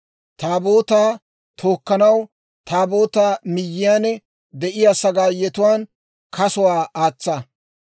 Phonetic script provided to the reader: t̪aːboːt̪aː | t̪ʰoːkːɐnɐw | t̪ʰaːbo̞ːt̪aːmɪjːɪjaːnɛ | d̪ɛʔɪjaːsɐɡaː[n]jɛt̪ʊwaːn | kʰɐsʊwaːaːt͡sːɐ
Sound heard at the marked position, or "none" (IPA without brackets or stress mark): none